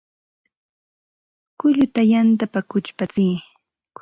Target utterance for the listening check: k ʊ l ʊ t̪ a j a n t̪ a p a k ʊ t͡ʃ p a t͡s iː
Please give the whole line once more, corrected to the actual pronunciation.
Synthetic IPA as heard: k ʊ ʎ ʊ t̪ a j a n t̪ a p a k ʊ t͡ʃ p a t͡s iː